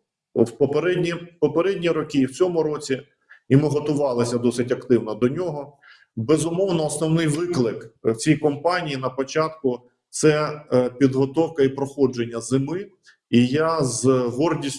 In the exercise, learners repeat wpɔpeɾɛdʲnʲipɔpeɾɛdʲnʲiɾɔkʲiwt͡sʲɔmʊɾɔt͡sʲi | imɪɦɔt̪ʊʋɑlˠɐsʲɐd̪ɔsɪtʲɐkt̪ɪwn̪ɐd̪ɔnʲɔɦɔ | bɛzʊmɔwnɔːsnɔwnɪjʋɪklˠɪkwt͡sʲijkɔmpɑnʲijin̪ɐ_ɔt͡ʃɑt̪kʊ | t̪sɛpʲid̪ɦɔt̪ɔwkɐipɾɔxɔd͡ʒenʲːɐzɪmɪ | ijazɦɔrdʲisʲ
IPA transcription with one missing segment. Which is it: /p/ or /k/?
p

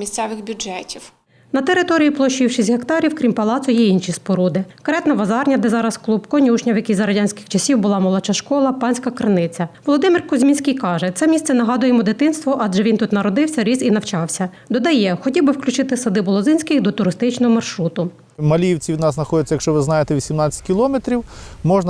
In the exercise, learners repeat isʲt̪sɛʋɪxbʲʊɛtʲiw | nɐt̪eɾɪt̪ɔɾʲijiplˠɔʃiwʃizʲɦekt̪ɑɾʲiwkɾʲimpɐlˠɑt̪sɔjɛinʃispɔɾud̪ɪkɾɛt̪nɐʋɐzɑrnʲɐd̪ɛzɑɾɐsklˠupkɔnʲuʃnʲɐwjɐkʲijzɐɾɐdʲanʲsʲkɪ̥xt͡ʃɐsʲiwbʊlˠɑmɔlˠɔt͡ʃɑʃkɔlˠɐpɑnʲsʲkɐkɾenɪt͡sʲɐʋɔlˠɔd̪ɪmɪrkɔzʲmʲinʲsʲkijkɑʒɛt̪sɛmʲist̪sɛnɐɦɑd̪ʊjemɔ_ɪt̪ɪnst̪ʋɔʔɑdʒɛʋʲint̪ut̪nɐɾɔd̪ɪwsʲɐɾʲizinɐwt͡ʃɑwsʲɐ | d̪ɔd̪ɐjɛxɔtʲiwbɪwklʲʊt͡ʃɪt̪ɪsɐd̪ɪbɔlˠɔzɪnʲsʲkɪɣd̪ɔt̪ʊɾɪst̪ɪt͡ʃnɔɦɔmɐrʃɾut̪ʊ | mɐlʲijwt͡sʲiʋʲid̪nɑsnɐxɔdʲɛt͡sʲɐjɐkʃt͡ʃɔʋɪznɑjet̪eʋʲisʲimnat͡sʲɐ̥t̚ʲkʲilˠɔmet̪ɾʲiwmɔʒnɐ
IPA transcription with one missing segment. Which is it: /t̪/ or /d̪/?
d̪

